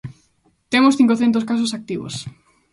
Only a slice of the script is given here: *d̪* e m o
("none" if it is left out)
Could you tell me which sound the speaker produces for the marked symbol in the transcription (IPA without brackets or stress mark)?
t̪